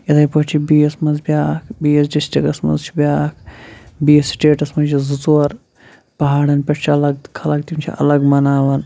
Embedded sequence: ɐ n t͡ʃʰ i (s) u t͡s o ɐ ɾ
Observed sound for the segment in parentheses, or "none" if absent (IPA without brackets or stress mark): z